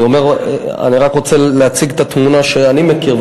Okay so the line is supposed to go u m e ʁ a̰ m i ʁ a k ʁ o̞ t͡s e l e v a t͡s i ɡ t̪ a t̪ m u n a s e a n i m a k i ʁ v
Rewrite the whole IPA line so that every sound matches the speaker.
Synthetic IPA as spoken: o m e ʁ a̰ n i ʁ a k ʁ o̞ t͡s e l e a t͡s i ɡ t̪ a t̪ m u n a ʃ e a n i m e k i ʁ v

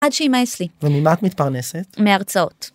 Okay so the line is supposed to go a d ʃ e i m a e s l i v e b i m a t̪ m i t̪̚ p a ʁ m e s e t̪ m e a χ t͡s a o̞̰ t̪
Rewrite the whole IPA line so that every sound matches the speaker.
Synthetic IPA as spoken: a d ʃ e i m a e s l i v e m i m a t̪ m i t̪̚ p a ʁ n e s e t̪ m e a ʁ t͡s a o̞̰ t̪

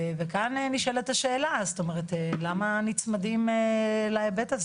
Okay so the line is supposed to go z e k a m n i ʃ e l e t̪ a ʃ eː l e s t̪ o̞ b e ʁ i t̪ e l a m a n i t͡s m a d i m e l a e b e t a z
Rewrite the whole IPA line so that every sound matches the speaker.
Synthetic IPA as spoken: v e k a n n i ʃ e l e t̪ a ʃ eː l a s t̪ o̞ m e ʁ e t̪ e l a m a n i t͡s m a d i m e l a e b e t a z

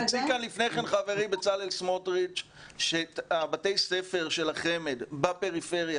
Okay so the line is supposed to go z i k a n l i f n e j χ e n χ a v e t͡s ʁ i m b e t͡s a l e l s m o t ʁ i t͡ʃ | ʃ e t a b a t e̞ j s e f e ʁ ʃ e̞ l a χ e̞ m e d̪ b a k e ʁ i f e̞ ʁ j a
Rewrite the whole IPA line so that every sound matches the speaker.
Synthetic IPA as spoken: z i k a n l i f n e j χ e n χ a v e ʁ i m b e t͡s a l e l s m o t ʁ i t͡ʃ | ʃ e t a b a t e̞ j s e f e ʁ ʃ e̞ l a χ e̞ m e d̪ b a p e ʁ i f e̞ ʁ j a

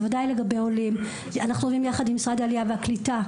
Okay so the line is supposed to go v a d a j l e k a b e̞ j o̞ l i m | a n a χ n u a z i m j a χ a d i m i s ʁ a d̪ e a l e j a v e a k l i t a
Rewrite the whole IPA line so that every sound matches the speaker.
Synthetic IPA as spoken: v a d a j l e ɡ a b e̞ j o̞ l i m | a n a χ n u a v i m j a χ a d i m i s ʁ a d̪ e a l i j a v e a k l i t a

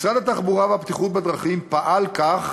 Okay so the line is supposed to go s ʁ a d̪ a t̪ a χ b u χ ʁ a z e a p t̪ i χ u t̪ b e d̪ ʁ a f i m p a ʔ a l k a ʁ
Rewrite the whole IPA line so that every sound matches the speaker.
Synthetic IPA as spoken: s ʁ a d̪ a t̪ a χ b u ʁ a v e a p t̪ i χ u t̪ b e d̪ ʁ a χ i m p a ʔ a l k a χ

